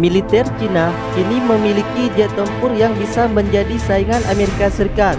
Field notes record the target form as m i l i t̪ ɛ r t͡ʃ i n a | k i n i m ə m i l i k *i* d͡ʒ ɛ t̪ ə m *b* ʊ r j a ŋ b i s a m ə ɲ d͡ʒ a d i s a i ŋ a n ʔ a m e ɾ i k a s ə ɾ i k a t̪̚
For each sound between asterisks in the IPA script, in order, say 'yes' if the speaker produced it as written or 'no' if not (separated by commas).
yes, no